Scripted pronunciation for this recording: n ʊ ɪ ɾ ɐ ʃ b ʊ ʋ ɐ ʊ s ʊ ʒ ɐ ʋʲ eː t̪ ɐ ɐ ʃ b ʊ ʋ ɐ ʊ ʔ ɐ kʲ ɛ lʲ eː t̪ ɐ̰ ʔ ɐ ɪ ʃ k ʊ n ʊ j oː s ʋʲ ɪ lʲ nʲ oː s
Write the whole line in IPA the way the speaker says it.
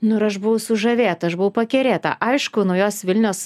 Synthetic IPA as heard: n ʊ ɪ ɾ ɐ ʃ b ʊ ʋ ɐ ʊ s ʊ ʒ ɐ ʋʲ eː t̪ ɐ ɐ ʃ b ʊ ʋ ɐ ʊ p ɐ kʲ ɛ ɾʲ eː t̪ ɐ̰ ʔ ɐ ɪ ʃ k ʊ n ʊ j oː s ʋʲ ɪ lʲ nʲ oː s

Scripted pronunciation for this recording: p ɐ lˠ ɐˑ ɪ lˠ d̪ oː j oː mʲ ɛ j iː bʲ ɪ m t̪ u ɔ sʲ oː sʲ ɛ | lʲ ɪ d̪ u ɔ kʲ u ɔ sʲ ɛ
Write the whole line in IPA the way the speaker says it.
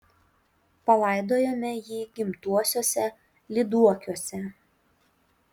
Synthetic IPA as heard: p ɐ lˠ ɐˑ ɪ d̪ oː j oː mʲ ɛ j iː ɡʲ ɪ m t̪ u ɔ sʲ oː sʲ ɛ | lʲ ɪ d̪ u ɔ kʲ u ɔ sʲ ɛ

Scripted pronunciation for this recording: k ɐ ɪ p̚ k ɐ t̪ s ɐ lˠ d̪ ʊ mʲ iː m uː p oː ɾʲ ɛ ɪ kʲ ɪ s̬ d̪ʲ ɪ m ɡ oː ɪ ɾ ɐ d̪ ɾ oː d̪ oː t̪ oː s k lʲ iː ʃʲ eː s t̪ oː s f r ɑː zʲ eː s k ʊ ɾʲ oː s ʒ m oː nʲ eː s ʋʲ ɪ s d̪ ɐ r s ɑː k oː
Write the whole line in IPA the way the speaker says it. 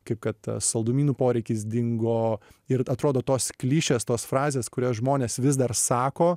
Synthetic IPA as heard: k ɐ ɪ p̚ k ɐ t̪ s ɐ lˠ d̪ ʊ mʲ iː n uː p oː ɾʲ ɛ ɪ kʲ ɪ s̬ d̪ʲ ɪ ŋ ɡ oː ɪ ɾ ɐ t̪ ɾ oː d̪ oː t̪ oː s k lʲ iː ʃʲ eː s t̪ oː s f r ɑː zʲ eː s k ʊ ɾʲ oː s ʒ m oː nʲ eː s ʋʲ ɪ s d̪ ɐ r s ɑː k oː

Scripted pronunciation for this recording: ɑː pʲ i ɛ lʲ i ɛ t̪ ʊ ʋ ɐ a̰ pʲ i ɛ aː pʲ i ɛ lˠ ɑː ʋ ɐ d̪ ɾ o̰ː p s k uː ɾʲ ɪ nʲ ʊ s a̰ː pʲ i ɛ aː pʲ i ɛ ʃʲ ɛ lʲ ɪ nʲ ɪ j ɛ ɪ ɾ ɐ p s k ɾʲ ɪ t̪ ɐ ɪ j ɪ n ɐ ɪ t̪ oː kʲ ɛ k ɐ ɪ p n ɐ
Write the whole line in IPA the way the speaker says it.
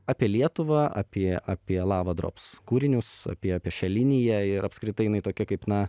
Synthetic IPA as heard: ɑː pʲ i ɛ lʲ i ɛ t̪ ʊ ʋ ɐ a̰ pʲ i ɛ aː pʲ i ɛ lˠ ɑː ʋ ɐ d̪ ɾ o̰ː p s k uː ɾʲ ɪ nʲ ʊ s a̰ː pʲ i ɛ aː pʲ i ɛ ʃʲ ɛ lʲ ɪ nʲ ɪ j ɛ ɪ ɾ ɐ p s k ɾʲ ɪ t̪ ɐ ɪ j ɪ n ɐ ɪ t̪ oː kʲ ɛ k ɐ ɪ p n ɐ

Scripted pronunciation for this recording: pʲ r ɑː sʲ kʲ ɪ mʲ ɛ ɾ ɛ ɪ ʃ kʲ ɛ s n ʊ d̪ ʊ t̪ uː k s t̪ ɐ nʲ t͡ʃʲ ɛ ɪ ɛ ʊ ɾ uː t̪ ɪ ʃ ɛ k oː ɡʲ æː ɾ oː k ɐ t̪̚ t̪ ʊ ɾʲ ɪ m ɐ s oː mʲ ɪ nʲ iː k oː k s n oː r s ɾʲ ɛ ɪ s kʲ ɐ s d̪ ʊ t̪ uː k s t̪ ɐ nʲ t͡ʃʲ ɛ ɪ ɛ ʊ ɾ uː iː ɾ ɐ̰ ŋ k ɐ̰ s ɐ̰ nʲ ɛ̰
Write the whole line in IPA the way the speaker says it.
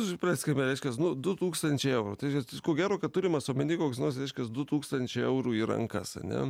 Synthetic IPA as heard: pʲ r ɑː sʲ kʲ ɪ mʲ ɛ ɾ ɛ ɪ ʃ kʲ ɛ s n ʊ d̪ ʊ t̪ uː k s t̪ ɐ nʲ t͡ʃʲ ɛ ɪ ɛ ʊ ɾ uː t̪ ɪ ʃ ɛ k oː ɡʲ æː ɾ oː k ɐ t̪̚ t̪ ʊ ɾʲ ɪ m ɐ s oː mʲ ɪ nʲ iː k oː k s n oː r s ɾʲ ɛ ɪ ʃ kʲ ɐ s d̪ ʊ t̪ uː k s t̪ ɐ nʲ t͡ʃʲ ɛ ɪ ɛ ʊ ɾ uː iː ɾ ɐ̰ ŋ k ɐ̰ s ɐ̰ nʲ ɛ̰

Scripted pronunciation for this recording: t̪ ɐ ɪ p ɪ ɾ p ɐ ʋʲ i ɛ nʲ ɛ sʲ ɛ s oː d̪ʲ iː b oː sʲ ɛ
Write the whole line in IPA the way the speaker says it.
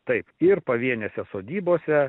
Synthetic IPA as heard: t̪ ɐ ɪ p ɪ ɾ p ɐ ʋʲ i ɛ nʲ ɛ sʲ ɛ s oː d̪ʲ iː b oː sʲ ɛ

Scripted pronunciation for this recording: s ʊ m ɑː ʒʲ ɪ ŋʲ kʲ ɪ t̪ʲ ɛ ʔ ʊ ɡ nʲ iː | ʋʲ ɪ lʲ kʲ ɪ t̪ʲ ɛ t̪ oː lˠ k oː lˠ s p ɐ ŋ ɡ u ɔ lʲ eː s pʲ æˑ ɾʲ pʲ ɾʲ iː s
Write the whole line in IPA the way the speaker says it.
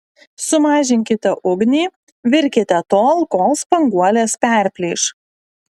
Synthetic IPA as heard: s ʊ m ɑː ʒʲ ɪ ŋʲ kʲ ɪ t̪ʲ ɛ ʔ ʊ ɡ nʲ iː | ʋʲ ɪ ɾʲ kʲ ɪ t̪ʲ ɛ t̪ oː lˠ k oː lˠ s p ɐ ŋ ɡ u ɔ lʲ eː s pʲ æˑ ɾʲ pʲ lʲ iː ʃ

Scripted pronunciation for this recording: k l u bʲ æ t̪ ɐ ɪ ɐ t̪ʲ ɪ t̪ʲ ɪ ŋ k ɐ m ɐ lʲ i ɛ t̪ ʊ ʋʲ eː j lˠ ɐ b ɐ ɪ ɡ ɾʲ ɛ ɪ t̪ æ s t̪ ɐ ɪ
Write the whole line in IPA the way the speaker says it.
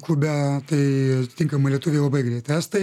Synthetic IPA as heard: k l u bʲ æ t̪ ɐ ɪ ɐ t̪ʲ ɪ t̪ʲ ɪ ŋ k ɐ m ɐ lʲ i ɛ t̪ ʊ ʋʲ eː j lˠ ɐ b ɐ ɪ ɡ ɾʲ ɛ ɪ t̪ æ s t̪ ɐ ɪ

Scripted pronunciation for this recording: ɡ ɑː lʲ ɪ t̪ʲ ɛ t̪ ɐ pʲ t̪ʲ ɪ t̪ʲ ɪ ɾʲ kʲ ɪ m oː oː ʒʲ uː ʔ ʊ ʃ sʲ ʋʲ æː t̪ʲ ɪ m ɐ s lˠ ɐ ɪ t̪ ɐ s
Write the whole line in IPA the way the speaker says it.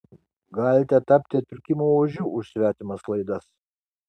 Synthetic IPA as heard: ɡ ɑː lʲ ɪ t̪ʲ ɛ t̪ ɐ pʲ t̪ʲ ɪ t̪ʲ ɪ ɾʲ kʲ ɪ m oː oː ʒʲ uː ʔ ʊ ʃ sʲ ʋʲ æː t̪ʲ ɪ m ɐ s lˠ ɐ ɪ d̪ ɐ s

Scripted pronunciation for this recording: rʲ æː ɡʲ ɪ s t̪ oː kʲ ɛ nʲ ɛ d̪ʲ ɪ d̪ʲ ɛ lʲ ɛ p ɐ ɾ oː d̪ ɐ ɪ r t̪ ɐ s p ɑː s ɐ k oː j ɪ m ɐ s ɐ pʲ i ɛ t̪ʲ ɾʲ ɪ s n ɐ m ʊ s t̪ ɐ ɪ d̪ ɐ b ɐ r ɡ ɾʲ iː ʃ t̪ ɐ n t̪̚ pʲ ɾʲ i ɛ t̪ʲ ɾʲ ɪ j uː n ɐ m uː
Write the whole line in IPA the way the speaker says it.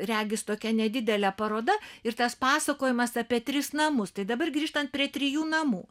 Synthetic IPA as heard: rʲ æː ɡʲ ɪ s t̪ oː kʲ ɛ nʲ ɛ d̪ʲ ɪ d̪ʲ ɛ lʲ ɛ p ɐ ɾ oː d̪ ɐ ɪ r t̪ ɐ s p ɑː s ɐ k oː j ɪ m ɐ s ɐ pʲ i ɛ t̪ʲ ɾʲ ɪ s n ɐ m ʊ s t̪ ɐ ɪ d̪ ɐ b ɐ r ɡ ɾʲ iː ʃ t̪ ɐ n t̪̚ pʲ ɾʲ i ɛ t̪ʲ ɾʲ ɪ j uː n ɐ m uː

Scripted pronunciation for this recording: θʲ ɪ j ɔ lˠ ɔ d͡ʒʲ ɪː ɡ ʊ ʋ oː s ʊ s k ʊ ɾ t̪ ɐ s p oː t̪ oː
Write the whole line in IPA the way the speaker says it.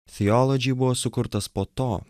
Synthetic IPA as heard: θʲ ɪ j ɔ lˠ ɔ d͡ʒʲ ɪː b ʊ ʋ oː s ʊ k ʊ ɾ t̪ ɐ s p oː t̪ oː

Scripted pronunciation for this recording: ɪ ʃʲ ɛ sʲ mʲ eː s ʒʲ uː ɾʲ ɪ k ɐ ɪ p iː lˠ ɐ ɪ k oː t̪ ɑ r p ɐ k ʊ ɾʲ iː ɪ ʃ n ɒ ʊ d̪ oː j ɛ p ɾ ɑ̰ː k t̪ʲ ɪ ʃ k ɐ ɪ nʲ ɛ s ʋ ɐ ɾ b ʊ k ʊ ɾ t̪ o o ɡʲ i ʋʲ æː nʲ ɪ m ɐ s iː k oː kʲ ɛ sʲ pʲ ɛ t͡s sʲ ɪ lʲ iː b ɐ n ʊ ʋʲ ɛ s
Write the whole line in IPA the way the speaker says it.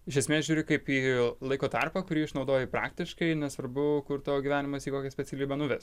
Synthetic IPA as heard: ɪ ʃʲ ɛ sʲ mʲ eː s ʒʲ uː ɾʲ ɪ k ɐ ɪ p iː lˠ ɐ ɪ k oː t̪ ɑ r p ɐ k ʊ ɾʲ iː ɪ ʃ n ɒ ʊ d̪ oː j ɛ p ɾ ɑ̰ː k t̪ʲ ɪ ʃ k ɐ ɪ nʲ ɛ s ʋ ɐ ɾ b ʊ k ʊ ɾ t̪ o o ɡʲ i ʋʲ æː nʲ ɪ m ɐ s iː k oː kʲ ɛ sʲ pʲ ɛ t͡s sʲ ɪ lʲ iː b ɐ n ʊ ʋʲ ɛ s

